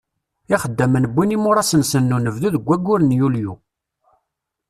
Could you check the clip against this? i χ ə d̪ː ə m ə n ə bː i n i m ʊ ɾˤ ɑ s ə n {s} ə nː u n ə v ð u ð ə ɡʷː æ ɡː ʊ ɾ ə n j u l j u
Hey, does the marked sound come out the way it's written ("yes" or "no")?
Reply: yes